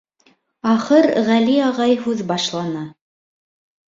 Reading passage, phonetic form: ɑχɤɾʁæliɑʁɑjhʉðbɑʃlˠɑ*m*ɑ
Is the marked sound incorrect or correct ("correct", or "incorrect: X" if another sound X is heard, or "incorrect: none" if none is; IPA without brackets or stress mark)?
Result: incorrect: n